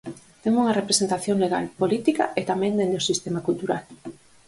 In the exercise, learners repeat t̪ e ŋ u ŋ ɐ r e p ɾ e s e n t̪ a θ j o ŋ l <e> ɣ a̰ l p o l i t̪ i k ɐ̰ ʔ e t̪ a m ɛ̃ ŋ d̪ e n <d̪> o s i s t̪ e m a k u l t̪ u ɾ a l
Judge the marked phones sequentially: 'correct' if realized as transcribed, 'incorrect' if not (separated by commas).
correct, correct